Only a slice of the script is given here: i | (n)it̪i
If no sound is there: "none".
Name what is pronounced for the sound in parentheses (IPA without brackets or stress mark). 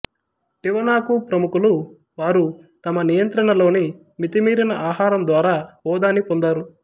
m